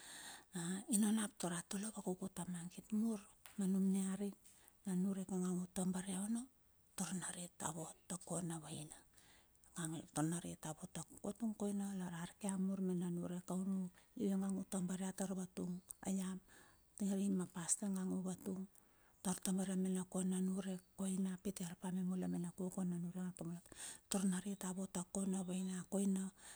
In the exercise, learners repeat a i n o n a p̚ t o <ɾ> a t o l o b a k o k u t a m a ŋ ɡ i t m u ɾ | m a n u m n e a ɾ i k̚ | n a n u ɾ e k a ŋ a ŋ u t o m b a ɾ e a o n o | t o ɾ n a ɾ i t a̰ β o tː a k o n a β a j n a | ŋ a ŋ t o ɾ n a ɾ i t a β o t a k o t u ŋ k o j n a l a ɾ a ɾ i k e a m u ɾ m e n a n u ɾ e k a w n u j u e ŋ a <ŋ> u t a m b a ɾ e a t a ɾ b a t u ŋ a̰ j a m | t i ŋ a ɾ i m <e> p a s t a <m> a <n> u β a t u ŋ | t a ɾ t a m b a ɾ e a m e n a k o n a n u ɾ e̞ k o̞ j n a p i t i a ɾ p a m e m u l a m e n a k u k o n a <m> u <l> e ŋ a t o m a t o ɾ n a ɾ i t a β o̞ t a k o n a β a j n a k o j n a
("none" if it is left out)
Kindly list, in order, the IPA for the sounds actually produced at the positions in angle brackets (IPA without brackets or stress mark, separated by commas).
ɾ, ŋ, a, ŋ, ŋ, n, ɾ